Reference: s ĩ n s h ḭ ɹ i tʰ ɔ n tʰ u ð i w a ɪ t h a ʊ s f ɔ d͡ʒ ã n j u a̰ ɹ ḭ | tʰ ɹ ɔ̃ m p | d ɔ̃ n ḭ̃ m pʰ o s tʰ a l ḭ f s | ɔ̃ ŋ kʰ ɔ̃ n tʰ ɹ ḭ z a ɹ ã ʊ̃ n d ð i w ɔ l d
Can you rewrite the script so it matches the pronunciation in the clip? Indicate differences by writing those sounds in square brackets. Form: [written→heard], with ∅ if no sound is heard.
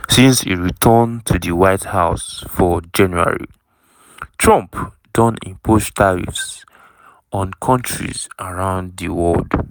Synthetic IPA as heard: s ĩ n s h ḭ ɹ i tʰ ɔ n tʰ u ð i w a ɪ t h a ʊ s f ɔ d͡ʒ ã n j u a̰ ɹ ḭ | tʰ ɹ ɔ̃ m p | d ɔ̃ n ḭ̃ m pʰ o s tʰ a [l→ɹ] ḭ f s | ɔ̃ [ŋ→n] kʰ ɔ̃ n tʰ ɹ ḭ z a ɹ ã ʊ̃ n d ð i w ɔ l d